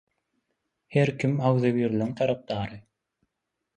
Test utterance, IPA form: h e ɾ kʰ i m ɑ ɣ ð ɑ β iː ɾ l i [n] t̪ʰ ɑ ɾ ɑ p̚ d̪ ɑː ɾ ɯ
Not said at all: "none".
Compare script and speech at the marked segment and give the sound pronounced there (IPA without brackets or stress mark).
ŋ